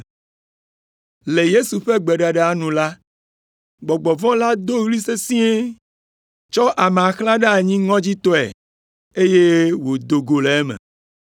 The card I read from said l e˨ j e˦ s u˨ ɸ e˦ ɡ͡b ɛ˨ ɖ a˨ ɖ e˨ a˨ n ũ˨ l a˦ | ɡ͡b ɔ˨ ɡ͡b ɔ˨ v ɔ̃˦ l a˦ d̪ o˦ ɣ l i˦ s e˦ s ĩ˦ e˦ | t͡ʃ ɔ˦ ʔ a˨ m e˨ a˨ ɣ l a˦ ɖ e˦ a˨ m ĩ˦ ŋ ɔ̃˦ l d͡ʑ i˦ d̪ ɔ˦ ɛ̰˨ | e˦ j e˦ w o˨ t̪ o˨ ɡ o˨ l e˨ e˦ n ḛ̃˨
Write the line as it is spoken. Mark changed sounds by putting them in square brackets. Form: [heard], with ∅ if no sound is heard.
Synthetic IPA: l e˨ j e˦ s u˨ ɸ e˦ ɡ͡b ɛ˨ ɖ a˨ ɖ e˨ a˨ n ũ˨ l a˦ | ɡ͡b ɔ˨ ɡ͡b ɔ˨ v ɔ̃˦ l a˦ d̪ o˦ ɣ l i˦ s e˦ s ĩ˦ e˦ | t͡ʃ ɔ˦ ʔ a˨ m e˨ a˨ [x] l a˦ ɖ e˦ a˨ [ɲ] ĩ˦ ŋ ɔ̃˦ [∅] d͡ʑ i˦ [t̪] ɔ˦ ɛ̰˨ | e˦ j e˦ w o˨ [d̪] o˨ ɡ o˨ l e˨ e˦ [m] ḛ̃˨